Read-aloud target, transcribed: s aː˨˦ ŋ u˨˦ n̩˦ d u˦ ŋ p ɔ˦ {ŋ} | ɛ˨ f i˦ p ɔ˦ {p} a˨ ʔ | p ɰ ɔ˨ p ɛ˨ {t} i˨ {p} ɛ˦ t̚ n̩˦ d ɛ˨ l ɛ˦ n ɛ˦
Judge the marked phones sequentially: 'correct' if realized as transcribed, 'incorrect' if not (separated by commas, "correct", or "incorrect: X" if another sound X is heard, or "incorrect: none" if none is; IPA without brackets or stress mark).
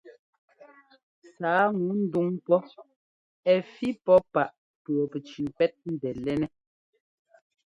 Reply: incorrect: none, correct, incorrect: t͡ʃ, correct